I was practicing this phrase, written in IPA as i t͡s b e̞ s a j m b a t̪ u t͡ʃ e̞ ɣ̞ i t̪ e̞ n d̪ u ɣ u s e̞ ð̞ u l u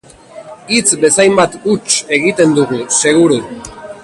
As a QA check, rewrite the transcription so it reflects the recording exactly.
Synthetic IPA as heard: i t͡s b e̞ s a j m b a t̪ u t͡ʃ e̞ ɣ̞ i t̪ e̞ n d̪ u ɣ u s e̞ ɣ̞ u ɾ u